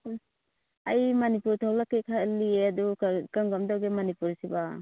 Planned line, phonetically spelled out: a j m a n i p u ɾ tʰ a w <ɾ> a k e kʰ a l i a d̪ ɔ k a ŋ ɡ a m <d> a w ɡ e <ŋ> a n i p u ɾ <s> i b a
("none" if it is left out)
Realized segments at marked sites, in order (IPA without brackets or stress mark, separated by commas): l, d, m, s